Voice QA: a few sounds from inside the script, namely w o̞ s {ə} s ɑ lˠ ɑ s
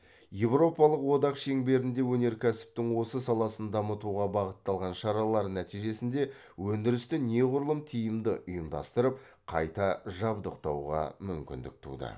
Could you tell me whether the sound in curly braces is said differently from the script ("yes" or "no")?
no